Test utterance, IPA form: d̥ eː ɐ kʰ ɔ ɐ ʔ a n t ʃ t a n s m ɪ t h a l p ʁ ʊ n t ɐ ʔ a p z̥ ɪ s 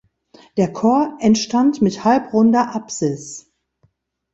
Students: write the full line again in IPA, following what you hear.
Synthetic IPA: d̥ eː ɐ kʰ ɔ ɐ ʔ ɛ n t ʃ t a n t m ɪ t h a l p ʁ ʊ n d ɐ ʔ a p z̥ ɪ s